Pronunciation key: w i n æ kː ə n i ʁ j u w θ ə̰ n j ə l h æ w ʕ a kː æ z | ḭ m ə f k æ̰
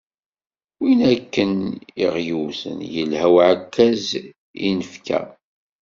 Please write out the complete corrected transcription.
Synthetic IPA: w i n æ kː ə n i ʁ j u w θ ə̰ n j ə l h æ w ʕ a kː æ z | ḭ n ə f k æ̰